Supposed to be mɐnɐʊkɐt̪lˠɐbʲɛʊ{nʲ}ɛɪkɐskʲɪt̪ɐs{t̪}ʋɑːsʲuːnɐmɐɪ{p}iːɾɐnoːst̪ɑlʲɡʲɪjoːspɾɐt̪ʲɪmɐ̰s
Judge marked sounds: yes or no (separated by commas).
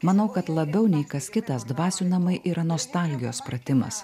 yes, no, no